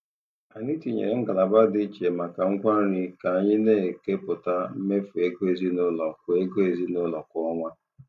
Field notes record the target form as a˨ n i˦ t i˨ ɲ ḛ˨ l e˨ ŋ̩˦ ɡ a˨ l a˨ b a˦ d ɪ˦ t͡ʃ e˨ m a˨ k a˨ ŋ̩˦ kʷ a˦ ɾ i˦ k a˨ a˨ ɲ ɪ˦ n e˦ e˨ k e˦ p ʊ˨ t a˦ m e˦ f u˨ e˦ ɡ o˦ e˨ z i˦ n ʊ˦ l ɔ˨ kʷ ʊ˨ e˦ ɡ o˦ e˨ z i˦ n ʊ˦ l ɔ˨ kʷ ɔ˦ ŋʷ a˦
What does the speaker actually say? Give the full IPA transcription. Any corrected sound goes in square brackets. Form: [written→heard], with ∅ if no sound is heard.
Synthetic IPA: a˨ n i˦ t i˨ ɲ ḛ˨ [l→ɾ] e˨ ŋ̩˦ ɡ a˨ l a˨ b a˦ d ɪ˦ t͡ʃ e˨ m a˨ k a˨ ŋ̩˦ kʷ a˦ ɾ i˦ k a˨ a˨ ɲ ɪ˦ n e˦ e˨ k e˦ p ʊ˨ t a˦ m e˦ f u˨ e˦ ɡ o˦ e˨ z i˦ n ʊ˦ l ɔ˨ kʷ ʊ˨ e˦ ɡ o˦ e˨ z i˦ n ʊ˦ l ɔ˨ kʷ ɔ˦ ŋʷ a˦